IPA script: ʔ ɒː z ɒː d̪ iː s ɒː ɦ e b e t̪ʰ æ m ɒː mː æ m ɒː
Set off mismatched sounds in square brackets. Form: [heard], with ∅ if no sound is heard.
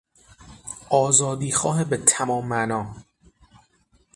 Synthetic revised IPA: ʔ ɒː z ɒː d̪ iː [x] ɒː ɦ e b e t̪ʰ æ m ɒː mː æ [n] ɒː